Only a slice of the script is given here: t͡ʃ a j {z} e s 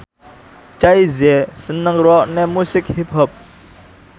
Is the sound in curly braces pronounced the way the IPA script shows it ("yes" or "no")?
yes